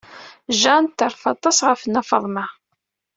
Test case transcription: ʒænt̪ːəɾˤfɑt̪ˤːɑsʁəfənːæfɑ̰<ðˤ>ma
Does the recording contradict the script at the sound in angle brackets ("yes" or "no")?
no